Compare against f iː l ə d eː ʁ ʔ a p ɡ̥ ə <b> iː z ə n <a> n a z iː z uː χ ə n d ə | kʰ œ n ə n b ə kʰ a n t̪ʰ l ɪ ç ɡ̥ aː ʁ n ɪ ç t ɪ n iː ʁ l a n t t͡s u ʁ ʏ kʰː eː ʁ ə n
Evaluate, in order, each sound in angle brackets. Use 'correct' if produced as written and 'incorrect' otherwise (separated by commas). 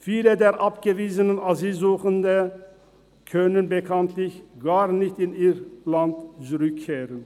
incorrect, incorrect